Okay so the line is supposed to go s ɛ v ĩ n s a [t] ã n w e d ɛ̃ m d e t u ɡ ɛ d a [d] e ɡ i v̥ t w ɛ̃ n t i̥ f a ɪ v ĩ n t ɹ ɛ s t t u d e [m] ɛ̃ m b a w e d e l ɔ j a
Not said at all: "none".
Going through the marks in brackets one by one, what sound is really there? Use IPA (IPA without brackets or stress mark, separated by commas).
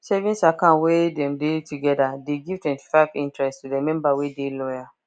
k, d, m